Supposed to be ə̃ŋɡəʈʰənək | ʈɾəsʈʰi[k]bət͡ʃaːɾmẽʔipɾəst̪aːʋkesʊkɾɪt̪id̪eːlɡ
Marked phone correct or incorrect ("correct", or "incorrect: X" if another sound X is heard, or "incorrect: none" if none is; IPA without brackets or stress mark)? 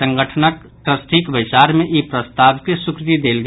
correct